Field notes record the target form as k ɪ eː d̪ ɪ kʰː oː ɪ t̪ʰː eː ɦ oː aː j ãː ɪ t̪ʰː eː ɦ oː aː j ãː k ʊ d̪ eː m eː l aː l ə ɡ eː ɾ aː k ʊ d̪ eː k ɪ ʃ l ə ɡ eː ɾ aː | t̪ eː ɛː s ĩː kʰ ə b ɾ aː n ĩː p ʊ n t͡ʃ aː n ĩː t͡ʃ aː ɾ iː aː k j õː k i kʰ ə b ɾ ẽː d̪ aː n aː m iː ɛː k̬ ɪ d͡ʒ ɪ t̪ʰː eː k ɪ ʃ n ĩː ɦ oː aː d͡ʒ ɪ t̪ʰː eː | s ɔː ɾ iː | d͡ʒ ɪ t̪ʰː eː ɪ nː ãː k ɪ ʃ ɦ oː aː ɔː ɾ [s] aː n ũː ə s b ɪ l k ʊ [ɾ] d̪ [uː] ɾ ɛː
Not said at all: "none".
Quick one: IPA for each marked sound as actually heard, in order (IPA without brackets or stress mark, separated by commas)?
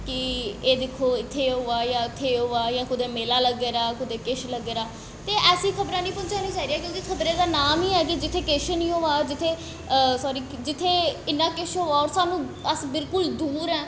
s, l, uː